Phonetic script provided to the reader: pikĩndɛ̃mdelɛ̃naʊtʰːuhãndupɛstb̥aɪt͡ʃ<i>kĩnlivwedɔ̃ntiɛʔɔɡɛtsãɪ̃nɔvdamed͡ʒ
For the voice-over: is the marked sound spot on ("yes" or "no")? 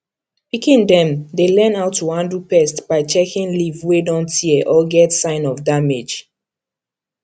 no